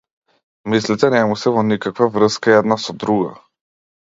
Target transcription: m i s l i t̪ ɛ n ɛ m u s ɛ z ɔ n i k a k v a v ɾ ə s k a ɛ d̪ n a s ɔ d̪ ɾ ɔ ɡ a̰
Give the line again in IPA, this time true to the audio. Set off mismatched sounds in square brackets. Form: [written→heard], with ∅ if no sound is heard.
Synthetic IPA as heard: m i s l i t̪ ɛ n ɛ m u s ɛ [z→v] ɔ n i k a k v a v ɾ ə s k a ɛ d̪ n a s ɔ d̪ ɾ [ɔ→u] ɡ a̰